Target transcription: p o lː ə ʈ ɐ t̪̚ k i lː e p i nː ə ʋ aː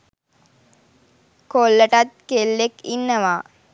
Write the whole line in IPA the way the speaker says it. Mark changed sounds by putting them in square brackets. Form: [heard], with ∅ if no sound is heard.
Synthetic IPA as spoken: [k] o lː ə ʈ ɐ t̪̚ k [e] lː e [k] i nː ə ʋ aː